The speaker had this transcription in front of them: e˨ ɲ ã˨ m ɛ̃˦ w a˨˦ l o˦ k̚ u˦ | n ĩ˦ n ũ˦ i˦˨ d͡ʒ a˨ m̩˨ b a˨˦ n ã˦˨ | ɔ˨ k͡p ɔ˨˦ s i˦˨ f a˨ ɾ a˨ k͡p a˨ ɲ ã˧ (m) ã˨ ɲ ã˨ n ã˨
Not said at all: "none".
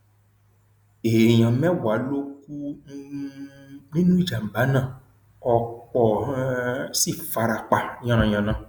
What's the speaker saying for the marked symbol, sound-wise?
n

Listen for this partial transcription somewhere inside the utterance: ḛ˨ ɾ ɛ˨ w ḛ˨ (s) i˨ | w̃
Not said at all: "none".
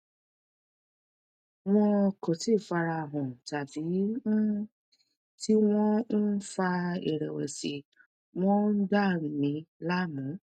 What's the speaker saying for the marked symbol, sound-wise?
s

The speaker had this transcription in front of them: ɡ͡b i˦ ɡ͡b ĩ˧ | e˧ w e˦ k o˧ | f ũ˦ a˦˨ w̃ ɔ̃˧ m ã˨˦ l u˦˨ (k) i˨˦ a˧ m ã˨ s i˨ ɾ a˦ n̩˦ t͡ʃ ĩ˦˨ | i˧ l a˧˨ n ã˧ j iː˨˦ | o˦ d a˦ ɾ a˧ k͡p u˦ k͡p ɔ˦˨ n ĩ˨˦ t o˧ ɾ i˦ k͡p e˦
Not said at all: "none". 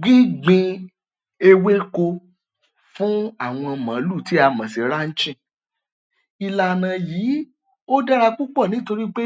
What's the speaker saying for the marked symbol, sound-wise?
t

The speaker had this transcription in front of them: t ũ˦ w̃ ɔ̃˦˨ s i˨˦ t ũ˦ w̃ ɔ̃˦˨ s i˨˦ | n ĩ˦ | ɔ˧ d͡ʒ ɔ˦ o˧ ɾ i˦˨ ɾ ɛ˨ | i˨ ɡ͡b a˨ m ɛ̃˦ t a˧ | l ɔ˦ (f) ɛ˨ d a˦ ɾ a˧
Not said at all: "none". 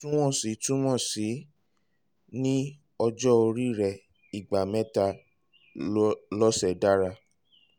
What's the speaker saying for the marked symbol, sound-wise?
s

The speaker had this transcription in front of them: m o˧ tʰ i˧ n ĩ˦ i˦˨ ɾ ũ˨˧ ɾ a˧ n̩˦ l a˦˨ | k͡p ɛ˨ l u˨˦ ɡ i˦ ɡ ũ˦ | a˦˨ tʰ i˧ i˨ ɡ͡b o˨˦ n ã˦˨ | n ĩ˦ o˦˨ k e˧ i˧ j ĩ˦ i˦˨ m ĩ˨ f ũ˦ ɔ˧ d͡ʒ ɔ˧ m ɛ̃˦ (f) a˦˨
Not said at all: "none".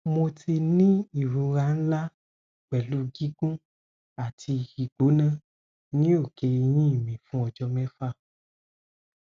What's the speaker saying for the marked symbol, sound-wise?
f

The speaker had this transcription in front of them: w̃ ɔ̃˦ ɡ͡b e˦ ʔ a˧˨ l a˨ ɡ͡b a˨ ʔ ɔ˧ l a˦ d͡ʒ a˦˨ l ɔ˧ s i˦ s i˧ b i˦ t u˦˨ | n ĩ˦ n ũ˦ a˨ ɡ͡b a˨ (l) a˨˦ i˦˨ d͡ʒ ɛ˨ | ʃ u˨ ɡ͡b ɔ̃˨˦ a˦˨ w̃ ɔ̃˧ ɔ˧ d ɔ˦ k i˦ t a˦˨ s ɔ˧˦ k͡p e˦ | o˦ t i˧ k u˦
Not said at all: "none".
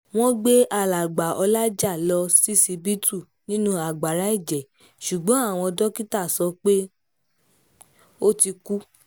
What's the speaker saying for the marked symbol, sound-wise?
ɾ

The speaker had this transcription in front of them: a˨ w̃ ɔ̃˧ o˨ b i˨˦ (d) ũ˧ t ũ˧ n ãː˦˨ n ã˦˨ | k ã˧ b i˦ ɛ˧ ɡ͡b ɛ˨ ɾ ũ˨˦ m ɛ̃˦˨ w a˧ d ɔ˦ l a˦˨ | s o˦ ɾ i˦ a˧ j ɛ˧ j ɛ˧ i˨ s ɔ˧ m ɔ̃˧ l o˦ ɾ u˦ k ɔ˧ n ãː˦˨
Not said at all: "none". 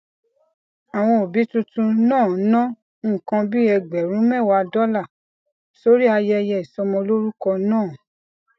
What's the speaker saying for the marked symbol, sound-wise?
t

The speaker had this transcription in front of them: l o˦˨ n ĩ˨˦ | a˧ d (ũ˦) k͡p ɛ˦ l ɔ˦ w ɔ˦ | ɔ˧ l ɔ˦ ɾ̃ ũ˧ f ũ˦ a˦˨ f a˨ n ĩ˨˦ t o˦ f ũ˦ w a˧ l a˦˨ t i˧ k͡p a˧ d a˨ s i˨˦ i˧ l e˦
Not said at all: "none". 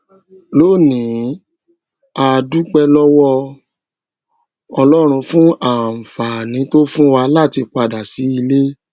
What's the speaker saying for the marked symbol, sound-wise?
u˦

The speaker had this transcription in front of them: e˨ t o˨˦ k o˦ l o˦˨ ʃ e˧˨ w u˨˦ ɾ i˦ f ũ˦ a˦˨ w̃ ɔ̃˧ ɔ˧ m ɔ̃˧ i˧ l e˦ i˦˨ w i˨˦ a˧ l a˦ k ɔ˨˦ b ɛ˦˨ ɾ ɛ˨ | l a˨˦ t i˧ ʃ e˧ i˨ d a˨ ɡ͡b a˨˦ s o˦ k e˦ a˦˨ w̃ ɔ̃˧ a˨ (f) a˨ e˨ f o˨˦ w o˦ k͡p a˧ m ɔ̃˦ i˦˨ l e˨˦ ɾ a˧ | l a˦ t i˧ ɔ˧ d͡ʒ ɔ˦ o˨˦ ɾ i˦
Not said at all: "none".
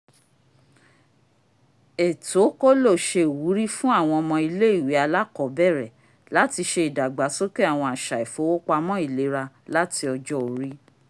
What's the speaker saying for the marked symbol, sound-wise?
ʃ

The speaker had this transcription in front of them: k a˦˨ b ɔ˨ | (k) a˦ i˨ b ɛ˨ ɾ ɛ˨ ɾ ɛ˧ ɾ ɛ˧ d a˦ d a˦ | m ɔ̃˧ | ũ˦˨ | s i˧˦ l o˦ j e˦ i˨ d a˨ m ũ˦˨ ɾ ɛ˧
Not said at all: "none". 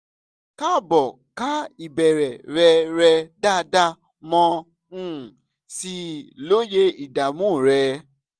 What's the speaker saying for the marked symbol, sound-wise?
k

